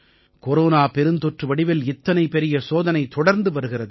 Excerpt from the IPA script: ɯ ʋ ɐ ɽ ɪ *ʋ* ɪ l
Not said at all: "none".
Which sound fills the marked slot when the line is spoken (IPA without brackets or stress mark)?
ʋ